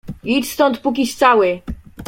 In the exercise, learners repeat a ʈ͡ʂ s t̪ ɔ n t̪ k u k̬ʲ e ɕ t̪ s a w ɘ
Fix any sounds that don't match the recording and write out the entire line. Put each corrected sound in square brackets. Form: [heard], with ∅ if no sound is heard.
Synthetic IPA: [i] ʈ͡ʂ s t̪ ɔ n t̪ [p] u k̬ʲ [i] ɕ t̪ s a w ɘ